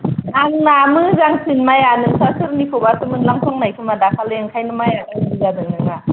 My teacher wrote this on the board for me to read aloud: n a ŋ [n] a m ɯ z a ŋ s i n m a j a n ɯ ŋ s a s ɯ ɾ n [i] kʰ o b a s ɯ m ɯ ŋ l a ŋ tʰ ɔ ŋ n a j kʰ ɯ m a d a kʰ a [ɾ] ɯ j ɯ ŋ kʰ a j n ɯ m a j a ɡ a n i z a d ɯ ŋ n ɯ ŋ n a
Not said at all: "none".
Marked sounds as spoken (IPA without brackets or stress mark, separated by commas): n, i, l